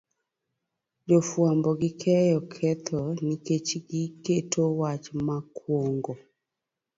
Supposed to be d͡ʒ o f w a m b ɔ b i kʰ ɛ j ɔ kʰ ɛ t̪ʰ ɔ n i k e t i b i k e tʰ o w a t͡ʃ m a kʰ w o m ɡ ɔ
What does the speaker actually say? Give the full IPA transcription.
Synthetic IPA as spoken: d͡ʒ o f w a m b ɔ ɡ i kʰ ɛ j ɔ kʰ ɛ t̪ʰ ɔ n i k e t͡ʃ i ɡ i k e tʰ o w a t͡ʃ m a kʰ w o ŋ ɡ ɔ